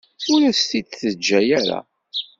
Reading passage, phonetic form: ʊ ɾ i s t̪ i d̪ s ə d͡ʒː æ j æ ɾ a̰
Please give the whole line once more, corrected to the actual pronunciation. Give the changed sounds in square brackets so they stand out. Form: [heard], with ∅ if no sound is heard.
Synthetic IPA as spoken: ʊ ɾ [æ] s t̪ i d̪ [θ] ə d͡ʒː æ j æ ɾ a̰